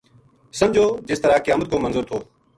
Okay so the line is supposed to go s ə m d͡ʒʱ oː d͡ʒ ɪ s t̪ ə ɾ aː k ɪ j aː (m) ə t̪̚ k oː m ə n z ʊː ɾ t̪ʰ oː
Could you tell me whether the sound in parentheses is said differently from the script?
no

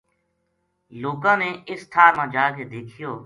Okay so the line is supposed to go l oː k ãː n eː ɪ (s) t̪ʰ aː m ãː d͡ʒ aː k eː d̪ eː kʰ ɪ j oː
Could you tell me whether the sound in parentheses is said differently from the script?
no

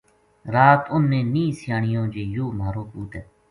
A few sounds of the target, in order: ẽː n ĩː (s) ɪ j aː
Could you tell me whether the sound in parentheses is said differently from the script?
no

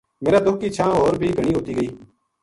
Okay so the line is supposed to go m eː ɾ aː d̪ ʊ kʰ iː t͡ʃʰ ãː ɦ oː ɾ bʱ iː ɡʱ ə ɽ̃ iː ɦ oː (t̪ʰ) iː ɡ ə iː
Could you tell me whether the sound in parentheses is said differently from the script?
yes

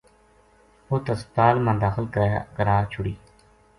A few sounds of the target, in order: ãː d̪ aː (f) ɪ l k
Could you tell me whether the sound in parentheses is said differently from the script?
yes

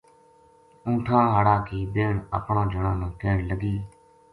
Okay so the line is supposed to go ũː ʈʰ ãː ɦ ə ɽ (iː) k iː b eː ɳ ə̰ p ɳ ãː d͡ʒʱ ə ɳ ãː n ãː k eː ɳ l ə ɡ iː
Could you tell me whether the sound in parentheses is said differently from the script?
yes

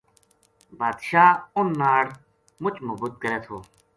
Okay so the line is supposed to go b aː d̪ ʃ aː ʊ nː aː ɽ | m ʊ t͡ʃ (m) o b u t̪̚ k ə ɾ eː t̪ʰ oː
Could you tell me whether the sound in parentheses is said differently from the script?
no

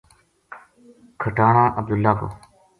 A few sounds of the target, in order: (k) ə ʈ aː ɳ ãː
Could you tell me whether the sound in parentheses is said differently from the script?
yes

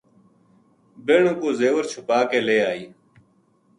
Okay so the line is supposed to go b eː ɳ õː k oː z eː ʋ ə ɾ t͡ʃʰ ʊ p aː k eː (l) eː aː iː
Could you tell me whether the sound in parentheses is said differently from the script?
no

